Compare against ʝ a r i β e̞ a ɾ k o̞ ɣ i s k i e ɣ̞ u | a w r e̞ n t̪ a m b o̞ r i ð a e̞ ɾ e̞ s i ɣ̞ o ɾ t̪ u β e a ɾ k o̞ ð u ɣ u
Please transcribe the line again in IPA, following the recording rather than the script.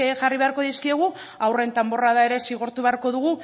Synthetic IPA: ʝ a r i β e̞ a ɾ k o̞ ð i s k i e ɣ̞ u | a w r e̞ n t̪ a m b o̞ r a ð a e̞ ɾ e̞ s i ɣ̞ o ɾ t̪ u β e a ɾ k o̞ ð u ɣ u